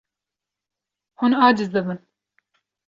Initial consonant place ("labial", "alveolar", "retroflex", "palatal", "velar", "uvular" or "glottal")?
glottal